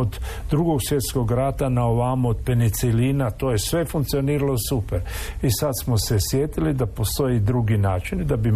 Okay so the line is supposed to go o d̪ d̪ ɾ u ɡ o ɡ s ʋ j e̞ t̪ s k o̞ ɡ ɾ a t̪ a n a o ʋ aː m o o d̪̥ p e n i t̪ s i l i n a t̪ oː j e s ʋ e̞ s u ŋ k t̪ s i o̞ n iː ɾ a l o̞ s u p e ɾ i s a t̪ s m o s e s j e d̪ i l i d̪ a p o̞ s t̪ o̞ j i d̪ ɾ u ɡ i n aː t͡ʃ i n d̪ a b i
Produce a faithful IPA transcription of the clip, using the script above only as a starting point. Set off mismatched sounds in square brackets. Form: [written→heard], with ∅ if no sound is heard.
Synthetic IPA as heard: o d̪ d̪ ɾ u ɡ o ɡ s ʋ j e̞ t̪ s k o̞ ɡ ɾ a t̪ a n a o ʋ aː m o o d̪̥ p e n i t̪ s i l i n a t̪ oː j e s ʋ e̞ [s→f] u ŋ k t̪ s i o̞ n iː ɾ a l o̞ s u p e ɾ i s a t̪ s m o s e s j e [d̪→t̪] i l i d̪ a p o̞ s t̪ o̞ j i d̪ ɾ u ɡ i n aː t͡ʃ i n d̪ a b i